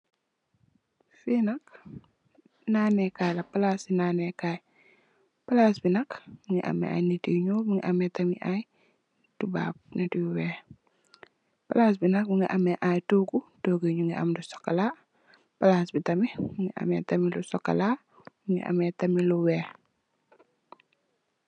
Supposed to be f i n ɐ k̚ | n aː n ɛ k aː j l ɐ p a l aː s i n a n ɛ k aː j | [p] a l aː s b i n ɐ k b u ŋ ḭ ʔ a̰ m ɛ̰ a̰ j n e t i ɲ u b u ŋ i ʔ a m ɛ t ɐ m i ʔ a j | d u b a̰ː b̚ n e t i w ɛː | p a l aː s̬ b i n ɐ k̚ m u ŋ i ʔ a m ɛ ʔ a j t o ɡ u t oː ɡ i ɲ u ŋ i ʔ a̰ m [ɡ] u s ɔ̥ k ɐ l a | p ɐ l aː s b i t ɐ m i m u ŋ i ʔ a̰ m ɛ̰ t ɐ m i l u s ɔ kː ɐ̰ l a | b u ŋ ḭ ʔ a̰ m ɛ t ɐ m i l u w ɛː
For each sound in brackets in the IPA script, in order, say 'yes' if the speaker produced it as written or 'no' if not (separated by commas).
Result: yes, no